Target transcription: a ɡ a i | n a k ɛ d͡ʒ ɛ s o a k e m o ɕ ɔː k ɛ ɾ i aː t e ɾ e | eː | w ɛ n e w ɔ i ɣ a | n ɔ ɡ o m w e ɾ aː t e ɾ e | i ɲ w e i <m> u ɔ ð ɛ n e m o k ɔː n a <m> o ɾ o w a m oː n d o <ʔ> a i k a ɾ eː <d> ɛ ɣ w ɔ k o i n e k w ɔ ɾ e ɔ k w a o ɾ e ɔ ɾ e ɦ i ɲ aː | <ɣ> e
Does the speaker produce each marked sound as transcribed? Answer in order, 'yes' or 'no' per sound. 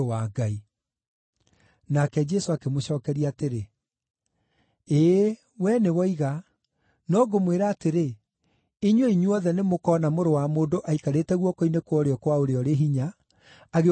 no, yes, yes, no, yes

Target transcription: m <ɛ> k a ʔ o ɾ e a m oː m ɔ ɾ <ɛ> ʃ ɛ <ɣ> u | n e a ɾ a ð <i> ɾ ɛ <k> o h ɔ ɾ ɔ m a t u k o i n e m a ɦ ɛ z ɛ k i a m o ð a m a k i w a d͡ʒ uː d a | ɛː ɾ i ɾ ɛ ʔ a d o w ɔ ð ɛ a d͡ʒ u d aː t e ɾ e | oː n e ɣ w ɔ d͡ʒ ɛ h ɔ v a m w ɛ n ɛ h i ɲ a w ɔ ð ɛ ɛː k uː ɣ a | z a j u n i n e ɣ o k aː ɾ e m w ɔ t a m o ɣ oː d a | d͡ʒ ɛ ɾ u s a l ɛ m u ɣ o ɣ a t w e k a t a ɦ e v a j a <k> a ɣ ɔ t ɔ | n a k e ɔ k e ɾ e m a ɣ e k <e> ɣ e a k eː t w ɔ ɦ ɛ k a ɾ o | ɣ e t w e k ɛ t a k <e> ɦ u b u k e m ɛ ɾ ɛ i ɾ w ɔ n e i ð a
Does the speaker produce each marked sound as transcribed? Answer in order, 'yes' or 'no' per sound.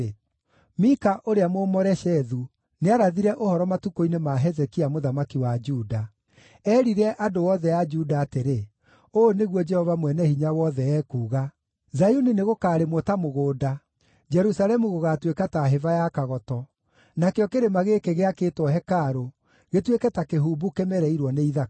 no, yes, no, yes, no, yes, yes, yes

